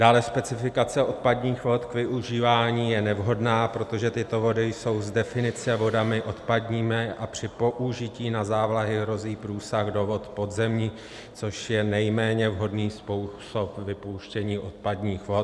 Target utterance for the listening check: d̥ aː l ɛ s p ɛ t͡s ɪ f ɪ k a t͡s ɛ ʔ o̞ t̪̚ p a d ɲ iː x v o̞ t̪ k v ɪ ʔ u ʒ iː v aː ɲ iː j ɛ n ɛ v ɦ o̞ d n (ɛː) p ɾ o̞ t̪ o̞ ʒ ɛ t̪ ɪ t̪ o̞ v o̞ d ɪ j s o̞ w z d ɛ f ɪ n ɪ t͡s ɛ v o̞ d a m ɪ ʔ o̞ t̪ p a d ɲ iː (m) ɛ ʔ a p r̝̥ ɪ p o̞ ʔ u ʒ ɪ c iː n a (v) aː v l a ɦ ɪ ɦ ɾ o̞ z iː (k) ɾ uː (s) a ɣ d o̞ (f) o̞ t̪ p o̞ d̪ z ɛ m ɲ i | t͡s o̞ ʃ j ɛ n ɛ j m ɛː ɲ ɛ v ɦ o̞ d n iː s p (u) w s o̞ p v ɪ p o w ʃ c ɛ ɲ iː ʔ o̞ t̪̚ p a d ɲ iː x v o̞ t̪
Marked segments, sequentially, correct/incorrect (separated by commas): incorrect, correct, incorrect, incorrect, correct, incorrect, correct